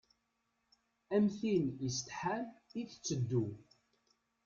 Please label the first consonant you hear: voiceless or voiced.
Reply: voiced